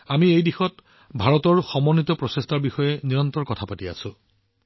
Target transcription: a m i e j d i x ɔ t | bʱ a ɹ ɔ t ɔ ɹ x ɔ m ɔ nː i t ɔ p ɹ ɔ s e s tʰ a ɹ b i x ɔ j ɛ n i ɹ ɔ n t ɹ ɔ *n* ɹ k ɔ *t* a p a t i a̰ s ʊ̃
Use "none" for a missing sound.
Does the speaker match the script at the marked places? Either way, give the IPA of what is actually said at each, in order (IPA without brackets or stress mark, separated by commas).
none, tʰ